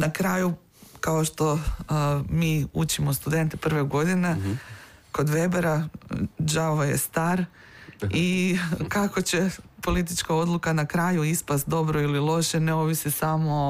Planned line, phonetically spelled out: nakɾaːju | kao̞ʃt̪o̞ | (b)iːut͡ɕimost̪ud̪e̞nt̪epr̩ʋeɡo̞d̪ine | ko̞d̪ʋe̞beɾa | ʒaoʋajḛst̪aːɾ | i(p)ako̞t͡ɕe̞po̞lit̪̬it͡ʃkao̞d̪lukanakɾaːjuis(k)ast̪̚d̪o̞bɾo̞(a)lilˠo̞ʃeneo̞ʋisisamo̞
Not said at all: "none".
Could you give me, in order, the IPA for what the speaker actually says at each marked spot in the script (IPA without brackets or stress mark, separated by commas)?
m, k, p, i